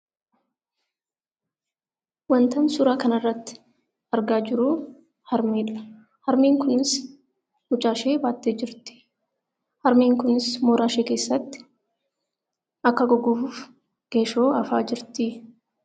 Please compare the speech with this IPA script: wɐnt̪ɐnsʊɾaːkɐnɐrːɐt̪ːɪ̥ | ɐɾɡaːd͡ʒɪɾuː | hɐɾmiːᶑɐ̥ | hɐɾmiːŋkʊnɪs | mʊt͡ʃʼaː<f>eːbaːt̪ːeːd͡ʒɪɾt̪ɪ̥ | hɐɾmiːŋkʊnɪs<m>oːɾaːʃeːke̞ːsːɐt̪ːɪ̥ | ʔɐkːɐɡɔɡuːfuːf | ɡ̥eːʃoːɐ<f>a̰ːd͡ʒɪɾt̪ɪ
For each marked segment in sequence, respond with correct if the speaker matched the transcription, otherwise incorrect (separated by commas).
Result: incorrect, correct, correct